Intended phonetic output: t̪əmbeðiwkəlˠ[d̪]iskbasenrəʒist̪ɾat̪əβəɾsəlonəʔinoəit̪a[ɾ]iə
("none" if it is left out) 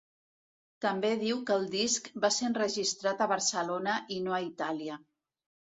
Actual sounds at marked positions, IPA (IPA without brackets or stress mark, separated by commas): d̪, l